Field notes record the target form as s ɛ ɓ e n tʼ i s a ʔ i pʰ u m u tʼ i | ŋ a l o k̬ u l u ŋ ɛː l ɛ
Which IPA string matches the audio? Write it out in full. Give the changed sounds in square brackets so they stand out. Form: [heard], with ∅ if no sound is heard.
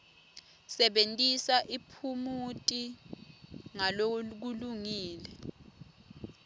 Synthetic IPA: s ɛ ɓ e n tʼ i s a ʔ i pʰ u m u tʼ i | ŋ a l o k̬ u l u ŋ [iː] l ɛ